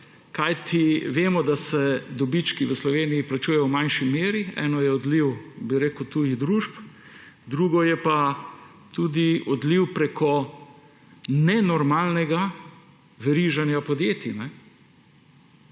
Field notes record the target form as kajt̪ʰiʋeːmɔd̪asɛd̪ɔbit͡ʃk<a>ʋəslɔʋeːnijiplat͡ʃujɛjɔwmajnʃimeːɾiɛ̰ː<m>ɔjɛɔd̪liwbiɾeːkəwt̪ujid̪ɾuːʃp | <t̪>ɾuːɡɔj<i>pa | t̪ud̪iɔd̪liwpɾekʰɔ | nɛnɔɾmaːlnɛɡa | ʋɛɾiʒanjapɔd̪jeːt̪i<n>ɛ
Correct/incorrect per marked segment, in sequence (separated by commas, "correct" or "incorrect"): incorrect, incorrect, incorrect, incorrect, correct